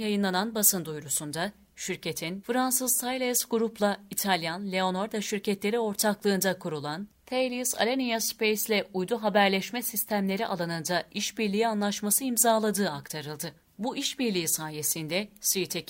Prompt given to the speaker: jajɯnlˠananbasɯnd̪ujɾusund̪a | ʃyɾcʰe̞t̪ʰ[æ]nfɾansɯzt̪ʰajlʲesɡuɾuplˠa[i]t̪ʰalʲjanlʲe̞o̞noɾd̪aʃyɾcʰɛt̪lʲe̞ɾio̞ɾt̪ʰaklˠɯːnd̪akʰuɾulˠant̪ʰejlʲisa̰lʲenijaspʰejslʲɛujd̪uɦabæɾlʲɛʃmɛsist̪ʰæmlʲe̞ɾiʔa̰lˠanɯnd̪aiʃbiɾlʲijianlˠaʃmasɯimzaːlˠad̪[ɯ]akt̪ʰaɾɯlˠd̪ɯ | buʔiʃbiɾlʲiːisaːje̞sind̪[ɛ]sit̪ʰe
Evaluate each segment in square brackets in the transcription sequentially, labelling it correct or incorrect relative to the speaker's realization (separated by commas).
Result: incorrect, correct, incorrect, correct